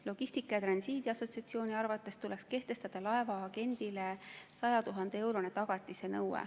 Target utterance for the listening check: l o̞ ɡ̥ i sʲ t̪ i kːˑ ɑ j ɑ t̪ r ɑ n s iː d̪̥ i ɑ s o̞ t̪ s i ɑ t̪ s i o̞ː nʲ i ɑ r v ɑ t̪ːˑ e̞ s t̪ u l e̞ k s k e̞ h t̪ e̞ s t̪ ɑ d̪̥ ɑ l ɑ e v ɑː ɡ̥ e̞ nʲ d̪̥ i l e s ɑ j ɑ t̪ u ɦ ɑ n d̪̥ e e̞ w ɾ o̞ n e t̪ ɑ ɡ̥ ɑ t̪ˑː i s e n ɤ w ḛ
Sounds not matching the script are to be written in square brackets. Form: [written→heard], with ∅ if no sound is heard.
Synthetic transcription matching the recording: l o̞ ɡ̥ i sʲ t̪ i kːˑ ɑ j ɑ t̪ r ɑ n s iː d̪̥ i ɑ s o̞ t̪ s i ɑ t̪ s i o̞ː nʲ i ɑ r v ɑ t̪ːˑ e̞ s t̪ u l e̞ k s k e̞ h t̪ e̞ s t̪ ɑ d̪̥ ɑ l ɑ e v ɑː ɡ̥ e̞ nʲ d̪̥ i l e s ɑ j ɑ t̪ u ɦ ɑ n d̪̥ e e̞ w ɾ o̞ n e t̪ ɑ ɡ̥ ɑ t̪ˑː i s e n ɤ w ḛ

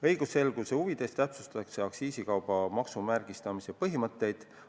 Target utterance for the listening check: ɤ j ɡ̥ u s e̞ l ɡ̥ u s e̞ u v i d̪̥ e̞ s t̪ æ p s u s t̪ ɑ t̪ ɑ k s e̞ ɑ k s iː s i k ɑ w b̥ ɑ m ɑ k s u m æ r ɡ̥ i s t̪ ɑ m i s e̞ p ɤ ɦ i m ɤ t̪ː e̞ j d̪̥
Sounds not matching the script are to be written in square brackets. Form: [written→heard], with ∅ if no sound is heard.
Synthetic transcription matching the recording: ɤ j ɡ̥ u s e̞ l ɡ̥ u s e̞ u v i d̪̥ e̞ s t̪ æ p s u s t̪ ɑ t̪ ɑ k s e̞ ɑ k s iː s i k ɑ w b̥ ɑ m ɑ k s u m æ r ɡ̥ i s t̪ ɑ m i s e̞ p ɤ ɦ i m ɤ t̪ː e̞ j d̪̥

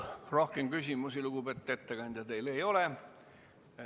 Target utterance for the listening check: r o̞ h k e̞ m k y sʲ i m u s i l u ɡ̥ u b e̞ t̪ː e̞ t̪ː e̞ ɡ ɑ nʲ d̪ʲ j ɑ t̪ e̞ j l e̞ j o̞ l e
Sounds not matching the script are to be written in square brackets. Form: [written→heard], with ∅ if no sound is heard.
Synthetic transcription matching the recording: r o̞ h k e̞ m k y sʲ i m u s i l u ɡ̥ u b e̞ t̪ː e̞ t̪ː e̞ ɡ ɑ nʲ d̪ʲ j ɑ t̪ e̞ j l e̞ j o̞ l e

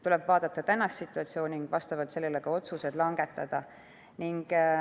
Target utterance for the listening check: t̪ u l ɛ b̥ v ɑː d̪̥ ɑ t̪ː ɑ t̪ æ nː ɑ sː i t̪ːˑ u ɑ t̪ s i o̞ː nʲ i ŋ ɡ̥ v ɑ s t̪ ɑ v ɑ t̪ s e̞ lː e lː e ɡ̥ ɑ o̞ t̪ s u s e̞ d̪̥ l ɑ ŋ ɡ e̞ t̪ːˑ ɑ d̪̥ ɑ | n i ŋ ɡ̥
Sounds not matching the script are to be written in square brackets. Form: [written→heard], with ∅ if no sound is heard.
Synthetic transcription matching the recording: t̪ u l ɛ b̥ v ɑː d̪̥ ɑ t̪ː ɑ t̪ æ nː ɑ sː i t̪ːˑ u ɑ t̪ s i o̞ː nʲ i ŋ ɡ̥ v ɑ s t̪ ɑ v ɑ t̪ s e̞ lː e [lː→l] e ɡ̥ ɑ o̞ t̪ s u s e̞ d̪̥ l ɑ ŋ ɡ e̞ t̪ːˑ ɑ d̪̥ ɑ | n i ŋ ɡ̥

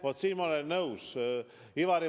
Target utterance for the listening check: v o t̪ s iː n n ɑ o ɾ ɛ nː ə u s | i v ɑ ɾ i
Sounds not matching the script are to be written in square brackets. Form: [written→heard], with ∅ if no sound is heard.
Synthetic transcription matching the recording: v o t̪ s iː n [n→m] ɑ o [ɾ→l] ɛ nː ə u s | i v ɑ ɾ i

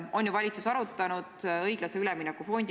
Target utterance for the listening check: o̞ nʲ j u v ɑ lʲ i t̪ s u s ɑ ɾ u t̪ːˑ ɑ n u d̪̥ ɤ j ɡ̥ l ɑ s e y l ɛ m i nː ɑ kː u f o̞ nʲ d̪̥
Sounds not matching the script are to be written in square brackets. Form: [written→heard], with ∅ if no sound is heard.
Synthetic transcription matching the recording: o̞ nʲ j u v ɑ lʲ i t̪ s u s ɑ ɾ u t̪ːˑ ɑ n u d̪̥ ɤ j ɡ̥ l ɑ s e y l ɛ m i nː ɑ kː u f o̞ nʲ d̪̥

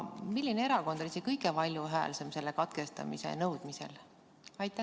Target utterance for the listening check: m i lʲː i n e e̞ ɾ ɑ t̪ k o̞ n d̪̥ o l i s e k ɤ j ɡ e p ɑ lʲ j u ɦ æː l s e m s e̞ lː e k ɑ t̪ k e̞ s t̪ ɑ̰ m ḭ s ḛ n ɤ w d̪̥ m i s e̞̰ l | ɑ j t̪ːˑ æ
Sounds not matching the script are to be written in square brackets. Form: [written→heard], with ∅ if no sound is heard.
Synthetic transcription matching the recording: m i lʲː i n e e̞ ɾ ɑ [t̪→∅] k o̞ n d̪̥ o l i s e k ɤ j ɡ e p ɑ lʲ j u ɦ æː l s e m s e̞ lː e k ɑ t̪ k e̞ s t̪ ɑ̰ m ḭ s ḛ n ɤ w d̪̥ m i s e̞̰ l | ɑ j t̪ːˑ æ

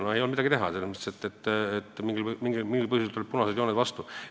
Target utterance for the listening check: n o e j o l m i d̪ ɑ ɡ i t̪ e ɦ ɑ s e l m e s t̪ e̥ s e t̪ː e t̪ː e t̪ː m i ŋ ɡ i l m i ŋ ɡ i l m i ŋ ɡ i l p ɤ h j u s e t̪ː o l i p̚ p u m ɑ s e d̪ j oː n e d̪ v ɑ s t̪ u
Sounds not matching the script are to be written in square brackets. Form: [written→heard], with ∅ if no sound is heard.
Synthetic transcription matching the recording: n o e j o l m i d̪ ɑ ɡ i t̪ e ɦ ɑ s e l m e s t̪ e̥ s e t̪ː e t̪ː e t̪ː m i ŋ ɡ i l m i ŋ ɡ i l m i ŋ ɡ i l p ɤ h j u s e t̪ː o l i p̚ p u [m→n] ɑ s e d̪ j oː n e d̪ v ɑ s t̪ u

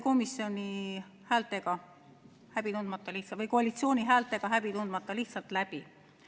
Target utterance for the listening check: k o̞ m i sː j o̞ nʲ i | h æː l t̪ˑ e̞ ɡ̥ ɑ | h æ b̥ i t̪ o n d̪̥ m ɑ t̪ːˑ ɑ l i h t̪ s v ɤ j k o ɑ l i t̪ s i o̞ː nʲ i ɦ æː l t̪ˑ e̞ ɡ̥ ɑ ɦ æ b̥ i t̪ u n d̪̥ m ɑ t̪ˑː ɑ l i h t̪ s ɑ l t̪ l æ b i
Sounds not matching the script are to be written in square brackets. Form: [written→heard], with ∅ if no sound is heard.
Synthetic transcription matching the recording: k o̞ m i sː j o̞ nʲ i | h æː l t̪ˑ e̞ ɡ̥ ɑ | h æ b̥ i t̪ [o→u] n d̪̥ m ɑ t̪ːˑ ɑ l i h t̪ s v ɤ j k o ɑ l i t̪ s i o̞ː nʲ i ɦ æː l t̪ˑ e̞ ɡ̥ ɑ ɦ æ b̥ i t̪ u n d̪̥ m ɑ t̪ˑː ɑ l i h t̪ s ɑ l t̪ l æ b i

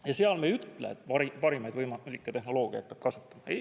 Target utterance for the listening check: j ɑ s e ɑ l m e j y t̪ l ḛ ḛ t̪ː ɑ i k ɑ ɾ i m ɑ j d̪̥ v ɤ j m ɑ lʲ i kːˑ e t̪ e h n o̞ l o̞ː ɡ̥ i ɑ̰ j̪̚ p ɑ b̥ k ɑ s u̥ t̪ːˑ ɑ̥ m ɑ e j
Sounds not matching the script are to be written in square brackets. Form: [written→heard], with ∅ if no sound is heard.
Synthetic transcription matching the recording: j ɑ s e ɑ l m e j y t̪ l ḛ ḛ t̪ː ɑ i [k→p] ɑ ɾ i m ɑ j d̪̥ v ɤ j m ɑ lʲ i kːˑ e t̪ e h n o̞ l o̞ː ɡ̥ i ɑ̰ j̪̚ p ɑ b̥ k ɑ s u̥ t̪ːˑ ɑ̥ m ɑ e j

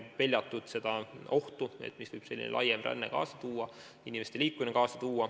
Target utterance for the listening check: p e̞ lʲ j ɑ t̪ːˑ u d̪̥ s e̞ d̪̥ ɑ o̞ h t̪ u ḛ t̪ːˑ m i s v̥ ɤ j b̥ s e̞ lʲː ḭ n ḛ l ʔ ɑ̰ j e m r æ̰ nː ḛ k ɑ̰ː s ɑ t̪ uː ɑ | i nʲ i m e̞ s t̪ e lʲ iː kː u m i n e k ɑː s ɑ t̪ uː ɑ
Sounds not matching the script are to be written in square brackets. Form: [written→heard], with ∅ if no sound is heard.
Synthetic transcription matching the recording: p e̞ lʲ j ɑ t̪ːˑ u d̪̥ s e̞ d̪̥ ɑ o̞ h t̪ u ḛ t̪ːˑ m i s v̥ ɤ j b̥ s e̞ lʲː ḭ n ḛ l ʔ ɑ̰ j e m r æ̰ nː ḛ k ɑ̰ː s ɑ t̪ uː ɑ | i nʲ i m e̞ s t̪ e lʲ iː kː u m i n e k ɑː s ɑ t̪ uː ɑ

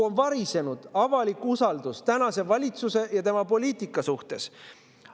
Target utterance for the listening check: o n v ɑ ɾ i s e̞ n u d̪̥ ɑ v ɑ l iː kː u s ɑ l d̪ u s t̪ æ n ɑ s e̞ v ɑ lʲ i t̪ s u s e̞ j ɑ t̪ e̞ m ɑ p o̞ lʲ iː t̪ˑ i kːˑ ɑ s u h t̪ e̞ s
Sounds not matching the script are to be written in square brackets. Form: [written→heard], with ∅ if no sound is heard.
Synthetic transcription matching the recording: o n v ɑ ɾ i s e̞ n u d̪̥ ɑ v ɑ l [iː→i] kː u s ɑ l d̪ u s t̪ æ n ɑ s e̞ v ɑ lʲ i t̪ s u s e̞ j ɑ t̪ e̞ m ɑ p o̞ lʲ iː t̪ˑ i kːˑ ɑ s u h t̪ e̞ s

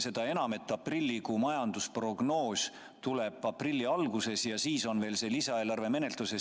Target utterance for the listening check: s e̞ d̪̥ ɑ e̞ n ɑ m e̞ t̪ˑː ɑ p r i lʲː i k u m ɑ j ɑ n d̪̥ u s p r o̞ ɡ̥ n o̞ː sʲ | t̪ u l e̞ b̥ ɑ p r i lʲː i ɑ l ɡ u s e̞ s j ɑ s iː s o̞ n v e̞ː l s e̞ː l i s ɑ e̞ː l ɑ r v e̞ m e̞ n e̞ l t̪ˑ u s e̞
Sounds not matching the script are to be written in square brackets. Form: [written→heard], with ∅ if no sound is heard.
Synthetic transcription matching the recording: s e̞ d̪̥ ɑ e̞ n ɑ m e̞ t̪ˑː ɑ p r i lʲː i k u m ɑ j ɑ n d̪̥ u s p r o̞ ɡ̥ n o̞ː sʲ | t̪ u l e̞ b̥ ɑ p r i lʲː i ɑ l ɡ u s e̞ s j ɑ s iː s o̞ n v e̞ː l s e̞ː l i s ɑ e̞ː l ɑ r v e̞ m e̞ n e̞ l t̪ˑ u s e̞

